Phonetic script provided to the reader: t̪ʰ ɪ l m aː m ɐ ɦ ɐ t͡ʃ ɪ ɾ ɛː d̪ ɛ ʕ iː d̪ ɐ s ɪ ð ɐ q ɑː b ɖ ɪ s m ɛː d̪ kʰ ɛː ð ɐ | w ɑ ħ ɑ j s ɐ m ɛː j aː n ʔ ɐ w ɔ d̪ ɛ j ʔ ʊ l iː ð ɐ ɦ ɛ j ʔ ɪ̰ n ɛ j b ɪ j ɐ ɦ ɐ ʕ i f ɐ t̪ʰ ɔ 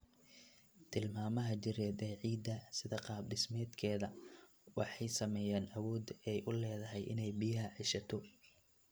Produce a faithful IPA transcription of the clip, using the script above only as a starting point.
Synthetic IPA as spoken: t̪ʰ ɪ l m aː m ɐ ɦ ɐ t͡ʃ ɪ ɾ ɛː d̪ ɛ ʕ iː d̪ ɐ s ɪ ð ɐ q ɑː b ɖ ɪ s m ɛː d̪ kʰ ɛː ð ɐ | w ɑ ħ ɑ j s ɐ m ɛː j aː n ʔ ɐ w ɔː d̪ ɛ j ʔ ʊ l ɛː ð ɐ ɦ ɛ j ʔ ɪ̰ n ɛ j b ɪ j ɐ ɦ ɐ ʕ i ʃ ɐ t̪ʰ ɔ